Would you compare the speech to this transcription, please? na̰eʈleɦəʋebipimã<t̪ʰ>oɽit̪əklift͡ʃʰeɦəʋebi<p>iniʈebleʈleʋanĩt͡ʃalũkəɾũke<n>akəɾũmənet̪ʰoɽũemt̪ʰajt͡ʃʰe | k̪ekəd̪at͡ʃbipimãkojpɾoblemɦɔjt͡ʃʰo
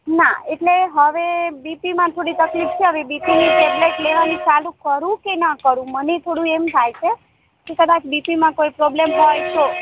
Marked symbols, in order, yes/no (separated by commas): yes, yes, yes